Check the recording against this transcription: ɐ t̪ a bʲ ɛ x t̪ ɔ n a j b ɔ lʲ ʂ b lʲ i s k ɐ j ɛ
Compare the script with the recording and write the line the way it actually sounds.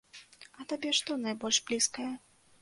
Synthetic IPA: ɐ t̪ a bʲ ɛ ʂ t̪ ɔ n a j b ɔ lʲ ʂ b lʲ i s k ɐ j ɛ